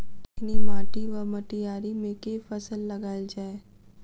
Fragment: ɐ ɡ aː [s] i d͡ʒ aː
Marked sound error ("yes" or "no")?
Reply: yes